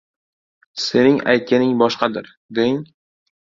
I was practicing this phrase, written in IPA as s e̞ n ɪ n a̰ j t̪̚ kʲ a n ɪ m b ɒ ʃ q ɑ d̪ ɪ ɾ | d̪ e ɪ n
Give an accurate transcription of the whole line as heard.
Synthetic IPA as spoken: s e̞ n ɪ ŋ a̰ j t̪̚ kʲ a n ɪ ŋ b ɒ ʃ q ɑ d̪ ɪ ɾ | d̪ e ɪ ŋ

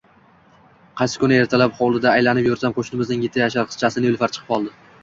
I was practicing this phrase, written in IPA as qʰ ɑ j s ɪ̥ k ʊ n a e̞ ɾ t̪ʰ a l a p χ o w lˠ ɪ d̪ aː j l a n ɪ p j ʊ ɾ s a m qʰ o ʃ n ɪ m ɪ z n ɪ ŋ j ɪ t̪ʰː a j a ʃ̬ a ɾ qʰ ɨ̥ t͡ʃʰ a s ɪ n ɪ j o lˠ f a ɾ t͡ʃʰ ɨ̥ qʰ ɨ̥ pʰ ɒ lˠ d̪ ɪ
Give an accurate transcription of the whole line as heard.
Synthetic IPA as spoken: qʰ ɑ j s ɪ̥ k ʊ n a e̞ ɾ t̪ʰ a l a p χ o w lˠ ɪ d̪ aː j l a n ɪ p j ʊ ɾ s a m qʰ o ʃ n ɪ m ɪ z n ɪ ŋ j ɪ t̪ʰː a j a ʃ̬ a ɾ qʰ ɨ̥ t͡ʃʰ a s ɪ n ɪ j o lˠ f a ɾ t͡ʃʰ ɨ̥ qʰ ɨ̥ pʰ ɒ lˠ d̪ ɪ

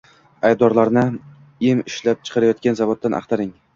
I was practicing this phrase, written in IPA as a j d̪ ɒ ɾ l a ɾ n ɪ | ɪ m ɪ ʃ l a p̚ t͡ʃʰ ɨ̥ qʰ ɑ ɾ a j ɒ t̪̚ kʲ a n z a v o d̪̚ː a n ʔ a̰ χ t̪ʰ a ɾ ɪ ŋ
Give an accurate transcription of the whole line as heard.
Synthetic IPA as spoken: a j d̪ ɒ ɾ l a ɾ n ɪ | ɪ m ɪ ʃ l a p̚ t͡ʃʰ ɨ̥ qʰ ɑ ɾ a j ɒ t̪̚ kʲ a n z a v o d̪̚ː a n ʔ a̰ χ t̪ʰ a ɾ ɪ ŋ

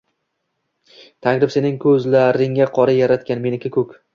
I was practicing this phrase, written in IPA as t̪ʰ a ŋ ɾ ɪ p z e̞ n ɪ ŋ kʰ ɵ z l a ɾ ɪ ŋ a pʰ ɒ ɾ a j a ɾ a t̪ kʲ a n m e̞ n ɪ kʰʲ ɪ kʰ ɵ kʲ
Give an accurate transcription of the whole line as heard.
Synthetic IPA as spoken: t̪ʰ a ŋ ɾ ɪ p s e̞ n ɪ ŋ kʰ ɵ z l a ɾ ɪ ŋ a qʰ ɒ ɾ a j a ɾ a t̪ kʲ a n m e̞ n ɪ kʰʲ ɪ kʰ ɵ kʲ

